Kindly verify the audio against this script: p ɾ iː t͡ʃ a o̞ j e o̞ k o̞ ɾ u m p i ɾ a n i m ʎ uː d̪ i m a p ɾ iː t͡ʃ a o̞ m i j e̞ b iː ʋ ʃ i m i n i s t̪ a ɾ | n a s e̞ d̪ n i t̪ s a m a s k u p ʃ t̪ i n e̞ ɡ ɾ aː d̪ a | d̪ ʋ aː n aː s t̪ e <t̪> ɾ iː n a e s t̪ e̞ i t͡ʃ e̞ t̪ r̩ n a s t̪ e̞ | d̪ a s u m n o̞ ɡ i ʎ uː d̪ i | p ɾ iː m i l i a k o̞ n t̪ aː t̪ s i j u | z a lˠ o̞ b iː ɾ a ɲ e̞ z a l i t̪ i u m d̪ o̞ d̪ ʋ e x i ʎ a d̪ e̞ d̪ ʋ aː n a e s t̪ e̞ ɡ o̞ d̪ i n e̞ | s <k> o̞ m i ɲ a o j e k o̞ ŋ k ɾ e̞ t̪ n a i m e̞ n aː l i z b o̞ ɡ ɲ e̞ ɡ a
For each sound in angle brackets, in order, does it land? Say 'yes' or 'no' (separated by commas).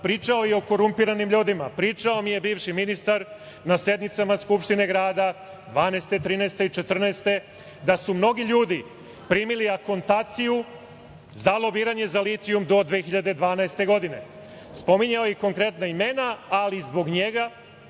yes, no